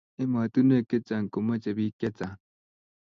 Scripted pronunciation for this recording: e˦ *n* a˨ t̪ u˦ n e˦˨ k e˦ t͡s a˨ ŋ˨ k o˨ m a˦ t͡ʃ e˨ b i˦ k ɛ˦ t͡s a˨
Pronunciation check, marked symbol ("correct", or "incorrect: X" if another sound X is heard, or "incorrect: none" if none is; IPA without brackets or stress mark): incorrect: m